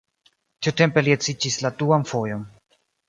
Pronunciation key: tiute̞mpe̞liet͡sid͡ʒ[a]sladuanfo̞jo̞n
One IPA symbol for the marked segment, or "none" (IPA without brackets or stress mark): i